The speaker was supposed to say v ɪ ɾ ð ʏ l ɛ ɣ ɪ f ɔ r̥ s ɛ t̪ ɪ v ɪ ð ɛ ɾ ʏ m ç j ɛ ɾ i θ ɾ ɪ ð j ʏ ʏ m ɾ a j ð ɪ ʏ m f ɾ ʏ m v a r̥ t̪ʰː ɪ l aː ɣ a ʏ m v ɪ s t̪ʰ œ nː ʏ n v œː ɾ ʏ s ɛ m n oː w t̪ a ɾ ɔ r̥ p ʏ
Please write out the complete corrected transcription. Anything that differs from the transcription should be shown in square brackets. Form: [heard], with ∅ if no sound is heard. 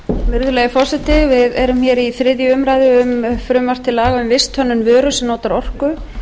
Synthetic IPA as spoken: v ɪ ɾ ð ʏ l ɛ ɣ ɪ f ɔ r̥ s ɛ t̪ ɪ v ɪ ð ɛ ɾ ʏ m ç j ɛ ɾ i θ ɾ ɪ ð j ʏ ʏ m ɾ a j ð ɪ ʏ m f ɾ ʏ m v a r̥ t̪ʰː ɪ l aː ɣ a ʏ m v ɪ s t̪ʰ œ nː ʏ n v œː ɾ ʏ s ɛ m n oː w t̪ a ɾ ɔ r̥ [k] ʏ